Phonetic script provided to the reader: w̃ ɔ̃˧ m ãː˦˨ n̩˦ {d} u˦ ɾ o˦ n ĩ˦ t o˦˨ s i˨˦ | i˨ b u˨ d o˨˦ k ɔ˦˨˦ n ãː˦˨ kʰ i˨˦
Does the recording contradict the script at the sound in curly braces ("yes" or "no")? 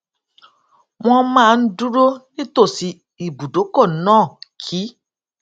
no